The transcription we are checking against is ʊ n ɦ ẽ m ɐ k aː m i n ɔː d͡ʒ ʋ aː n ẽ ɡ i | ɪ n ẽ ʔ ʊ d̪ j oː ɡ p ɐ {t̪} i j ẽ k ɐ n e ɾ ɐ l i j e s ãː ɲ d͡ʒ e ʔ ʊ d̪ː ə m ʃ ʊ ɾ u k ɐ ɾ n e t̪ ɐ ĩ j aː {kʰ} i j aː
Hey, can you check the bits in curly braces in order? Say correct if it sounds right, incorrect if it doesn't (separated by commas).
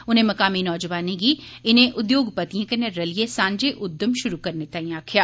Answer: correct, correct